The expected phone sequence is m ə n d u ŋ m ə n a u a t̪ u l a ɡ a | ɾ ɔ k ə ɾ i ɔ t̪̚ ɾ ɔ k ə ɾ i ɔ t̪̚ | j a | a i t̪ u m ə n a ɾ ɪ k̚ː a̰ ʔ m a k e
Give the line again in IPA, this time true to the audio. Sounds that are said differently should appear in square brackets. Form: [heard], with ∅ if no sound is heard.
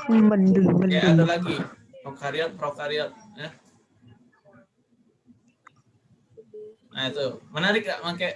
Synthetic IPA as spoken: m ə n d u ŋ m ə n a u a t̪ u l a ɡ [i] | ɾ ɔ k [a] ɾ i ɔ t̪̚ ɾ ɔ k [a] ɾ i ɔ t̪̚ | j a | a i t̪ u m ə n a ɾ ɪ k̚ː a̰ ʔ m a k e